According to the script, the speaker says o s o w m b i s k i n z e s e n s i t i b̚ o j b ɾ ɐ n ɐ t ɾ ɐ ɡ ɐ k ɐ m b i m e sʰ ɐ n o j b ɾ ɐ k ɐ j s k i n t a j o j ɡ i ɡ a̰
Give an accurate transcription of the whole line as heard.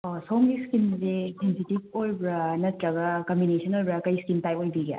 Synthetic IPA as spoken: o s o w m ɡ i s k i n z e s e n s i t i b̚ o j b ɾ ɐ n ɐ t ɾ ɐ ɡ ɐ k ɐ m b i n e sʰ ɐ n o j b ɾ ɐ k ɐ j s k i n t a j o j b i ɡ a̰